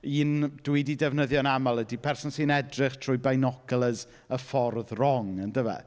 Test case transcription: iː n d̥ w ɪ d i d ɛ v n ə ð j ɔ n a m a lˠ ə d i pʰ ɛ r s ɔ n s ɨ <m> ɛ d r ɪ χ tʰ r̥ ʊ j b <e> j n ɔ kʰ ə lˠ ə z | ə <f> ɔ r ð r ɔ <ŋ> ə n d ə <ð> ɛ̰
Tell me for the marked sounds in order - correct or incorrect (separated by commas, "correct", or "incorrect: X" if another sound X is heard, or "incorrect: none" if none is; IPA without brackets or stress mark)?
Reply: incorrect: n, incorrect: a, correct, correct, incorrect: v